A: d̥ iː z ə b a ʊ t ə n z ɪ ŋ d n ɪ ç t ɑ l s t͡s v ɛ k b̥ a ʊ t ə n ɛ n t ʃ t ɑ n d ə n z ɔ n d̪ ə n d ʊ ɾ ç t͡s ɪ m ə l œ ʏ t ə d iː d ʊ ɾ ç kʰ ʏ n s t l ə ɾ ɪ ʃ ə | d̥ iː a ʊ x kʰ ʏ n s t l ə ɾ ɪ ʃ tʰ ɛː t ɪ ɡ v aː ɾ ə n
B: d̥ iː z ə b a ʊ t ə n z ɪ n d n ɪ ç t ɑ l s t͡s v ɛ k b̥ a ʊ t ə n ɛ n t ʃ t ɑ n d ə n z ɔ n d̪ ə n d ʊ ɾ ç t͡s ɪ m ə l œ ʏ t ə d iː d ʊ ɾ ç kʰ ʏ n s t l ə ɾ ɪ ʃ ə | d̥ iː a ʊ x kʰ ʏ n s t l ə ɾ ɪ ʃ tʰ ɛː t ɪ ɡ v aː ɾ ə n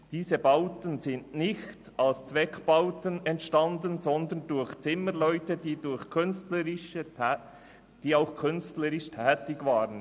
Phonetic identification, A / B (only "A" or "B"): B